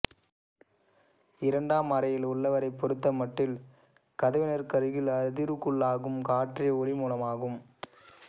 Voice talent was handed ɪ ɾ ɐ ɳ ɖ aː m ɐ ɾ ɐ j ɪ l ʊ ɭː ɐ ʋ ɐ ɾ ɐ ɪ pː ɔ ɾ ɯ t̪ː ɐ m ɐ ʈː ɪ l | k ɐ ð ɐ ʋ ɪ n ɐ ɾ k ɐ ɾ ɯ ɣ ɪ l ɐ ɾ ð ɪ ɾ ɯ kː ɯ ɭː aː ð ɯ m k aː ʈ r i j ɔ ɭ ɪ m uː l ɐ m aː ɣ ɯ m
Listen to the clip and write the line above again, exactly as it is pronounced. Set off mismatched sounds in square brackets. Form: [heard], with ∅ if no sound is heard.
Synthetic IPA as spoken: ɪ ɾ ɐ ɳ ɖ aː m ɐ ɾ ɐ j ɪ l ʊ ɭː ɐ ʋ ɐ ɾ ɐ ɪ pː ɔ ɾ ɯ t̪ː ɐ m ɐ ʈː ɪ l | k ɐ ð ɐ ʋ ɪ n ɐ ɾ k ɐ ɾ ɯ ɣ ɪ l ɐ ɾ ð ɪ ɾ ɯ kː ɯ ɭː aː [ɣ] ɯ m k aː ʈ r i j ɔ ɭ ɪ m uː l ɐ m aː ɣ ɯ m